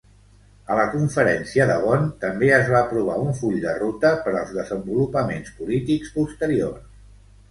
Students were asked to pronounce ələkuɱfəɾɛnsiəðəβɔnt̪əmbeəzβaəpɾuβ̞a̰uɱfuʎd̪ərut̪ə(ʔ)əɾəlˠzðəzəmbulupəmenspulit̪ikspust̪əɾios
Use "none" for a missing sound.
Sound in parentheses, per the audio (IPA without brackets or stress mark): p